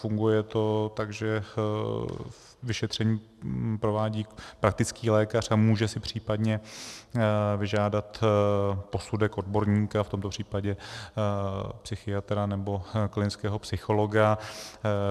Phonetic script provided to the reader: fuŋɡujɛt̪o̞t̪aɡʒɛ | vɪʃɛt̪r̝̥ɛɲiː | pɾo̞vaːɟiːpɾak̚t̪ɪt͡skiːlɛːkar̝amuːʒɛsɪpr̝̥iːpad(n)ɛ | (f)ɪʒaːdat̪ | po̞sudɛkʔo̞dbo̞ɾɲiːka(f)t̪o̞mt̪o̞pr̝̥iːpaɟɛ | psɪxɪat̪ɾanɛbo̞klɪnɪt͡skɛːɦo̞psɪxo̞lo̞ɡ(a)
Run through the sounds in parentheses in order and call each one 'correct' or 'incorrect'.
incorrect, incorrect, correct, correct

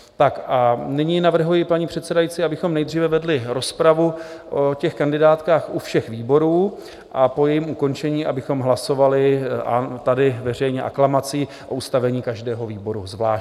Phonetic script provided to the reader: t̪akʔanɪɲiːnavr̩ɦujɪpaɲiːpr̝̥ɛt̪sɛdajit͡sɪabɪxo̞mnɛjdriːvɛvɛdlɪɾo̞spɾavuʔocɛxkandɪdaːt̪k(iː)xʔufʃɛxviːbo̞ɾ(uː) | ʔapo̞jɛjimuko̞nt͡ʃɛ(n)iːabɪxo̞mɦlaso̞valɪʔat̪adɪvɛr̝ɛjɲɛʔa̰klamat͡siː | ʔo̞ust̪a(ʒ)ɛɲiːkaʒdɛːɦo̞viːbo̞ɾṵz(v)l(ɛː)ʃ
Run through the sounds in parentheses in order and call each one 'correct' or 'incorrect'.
incorrect, correct, incorrect, incorrect, correct, incorrect

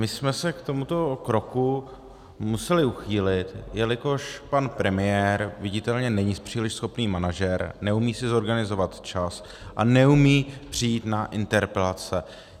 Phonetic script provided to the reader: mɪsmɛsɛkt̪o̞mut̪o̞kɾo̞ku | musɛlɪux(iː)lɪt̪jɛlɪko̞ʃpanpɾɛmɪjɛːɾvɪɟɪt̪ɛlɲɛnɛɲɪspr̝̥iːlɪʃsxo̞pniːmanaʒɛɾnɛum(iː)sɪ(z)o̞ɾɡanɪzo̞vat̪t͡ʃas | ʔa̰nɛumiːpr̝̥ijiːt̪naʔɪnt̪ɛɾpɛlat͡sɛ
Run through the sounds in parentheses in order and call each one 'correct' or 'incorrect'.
correct, correct, correct

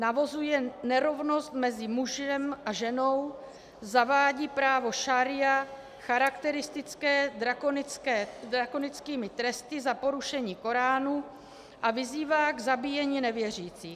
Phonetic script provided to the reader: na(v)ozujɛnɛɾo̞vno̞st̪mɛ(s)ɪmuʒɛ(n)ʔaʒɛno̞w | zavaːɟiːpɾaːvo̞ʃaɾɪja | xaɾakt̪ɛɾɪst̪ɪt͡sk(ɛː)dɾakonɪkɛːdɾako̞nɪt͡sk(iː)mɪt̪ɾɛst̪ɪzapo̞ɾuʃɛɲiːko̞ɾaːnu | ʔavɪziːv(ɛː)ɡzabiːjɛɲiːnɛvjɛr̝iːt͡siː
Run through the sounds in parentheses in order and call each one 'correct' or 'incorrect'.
correct, incorrect, incorrect, correct, correct, incorrect

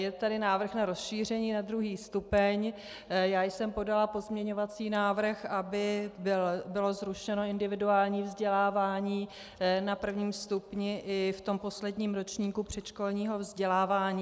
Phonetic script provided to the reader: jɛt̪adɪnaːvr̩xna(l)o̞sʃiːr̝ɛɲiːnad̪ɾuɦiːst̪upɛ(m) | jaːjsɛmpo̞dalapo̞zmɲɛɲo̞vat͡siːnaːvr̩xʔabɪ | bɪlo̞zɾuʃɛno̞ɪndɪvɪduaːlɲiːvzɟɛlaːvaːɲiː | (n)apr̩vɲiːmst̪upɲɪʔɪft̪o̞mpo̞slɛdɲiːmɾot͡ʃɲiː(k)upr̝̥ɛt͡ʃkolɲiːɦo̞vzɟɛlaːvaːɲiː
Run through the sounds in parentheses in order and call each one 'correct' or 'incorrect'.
incorrect, incorrect, correct, correct

